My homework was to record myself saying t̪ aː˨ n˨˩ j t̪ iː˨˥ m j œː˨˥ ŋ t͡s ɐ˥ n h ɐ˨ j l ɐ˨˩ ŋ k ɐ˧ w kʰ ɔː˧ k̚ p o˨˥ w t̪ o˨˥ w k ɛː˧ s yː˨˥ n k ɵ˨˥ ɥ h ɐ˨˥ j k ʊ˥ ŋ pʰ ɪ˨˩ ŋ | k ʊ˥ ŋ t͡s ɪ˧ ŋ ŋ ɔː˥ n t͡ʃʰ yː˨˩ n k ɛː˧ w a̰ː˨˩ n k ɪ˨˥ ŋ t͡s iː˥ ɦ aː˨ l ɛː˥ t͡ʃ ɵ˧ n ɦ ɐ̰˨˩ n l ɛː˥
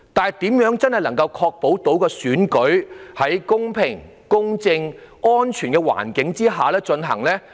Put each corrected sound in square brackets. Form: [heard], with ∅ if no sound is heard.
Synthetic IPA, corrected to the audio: t̪ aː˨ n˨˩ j t̪ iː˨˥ m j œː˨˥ ŋ t͡s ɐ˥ n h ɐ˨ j l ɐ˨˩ ŋ k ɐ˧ w kʰ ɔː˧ k̚ p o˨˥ w t̪ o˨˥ w k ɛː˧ s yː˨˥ n k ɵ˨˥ ɥ h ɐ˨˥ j k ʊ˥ ŋ pʰ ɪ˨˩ ŋ | k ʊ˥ ŋ t͡s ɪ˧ ŋ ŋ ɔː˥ n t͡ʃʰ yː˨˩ n k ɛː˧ w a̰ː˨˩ n k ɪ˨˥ ŋ t͡s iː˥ ɦ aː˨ l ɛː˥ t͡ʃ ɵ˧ n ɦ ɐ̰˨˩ [ŋ] l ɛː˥